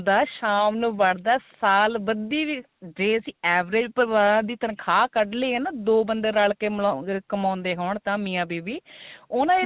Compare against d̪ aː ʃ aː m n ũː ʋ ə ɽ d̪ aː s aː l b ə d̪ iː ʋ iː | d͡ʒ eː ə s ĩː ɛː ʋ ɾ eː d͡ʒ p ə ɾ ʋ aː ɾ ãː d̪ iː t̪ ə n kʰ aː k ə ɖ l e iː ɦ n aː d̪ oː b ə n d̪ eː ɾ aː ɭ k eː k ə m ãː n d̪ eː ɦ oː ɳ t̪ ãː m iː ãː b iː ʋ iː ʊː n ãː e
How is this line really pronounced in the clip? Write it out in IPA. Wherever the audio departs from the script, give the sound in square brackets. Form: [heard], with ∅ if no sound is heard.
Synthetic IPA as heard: d̪ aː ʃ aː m n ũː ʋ ə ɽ d̪ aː s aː l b ə d̪ iː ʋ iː | d͡ʒ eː ə s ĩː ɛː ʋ ɾ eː d͡ʒ p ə ɾ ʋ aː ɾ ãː d̪ iː t̪ ə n kʰ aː k ə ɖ l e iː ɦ n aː d̪ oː b ə n d̪ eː ɾ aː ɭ k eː k ə m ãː n d̪ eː ɦ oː ɳ t̪ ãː m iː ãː b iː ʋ iː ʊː n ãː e